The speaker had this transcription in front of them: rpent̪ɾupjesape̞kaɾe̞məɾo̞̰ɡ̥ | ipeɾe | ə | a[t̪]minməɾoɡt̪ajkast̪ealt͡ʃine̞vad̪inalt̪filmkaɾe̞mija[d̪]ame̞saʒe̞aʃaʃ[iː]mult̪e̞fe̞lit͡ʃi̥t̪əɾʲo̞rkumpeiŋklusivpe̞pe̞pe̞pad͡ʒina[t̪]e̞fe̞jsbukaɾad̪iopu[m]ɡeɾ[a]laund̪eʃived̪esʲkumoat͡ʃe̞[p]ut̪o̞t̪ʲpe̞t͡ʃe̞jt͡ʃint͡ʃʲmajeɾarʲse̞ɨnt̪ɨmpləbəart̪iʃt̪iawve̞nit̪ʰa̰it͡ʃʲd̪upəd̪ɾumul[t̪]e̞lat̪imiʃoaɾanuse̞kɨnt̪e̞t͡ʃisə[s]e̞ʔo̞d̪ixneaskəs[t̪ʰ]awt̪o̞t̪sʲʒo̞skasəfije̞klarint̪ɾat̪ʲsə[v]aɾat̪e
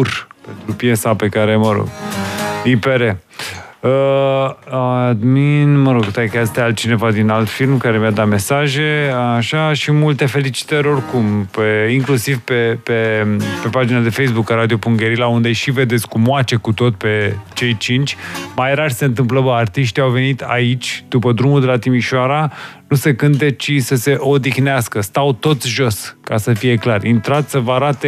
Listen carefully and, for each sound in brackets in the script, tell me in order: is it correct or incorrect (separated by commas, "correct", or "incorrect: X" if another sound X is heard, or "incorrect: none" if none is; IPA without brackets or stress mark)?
incorrect: d̪, correct, incorrect: i, incorrect: d̪, incorrect: ŋ, incorrect: i, incorrect: k, incorrect: d̪, correct, incorrect: t̪, correct